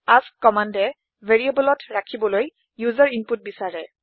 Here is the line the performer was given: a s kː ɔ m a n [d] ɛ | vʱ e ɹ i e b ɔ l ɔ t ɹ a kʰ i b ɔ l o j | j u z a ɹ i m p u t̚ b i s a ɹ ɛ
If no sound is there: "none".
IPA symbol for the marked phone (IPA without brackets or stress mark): d